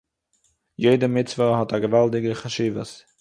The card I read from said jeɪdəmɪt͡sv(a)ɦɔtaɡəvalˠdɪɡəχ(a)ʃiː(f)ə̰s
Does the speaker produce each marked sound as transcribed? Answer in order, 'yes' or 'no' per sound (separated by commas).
no, yes, no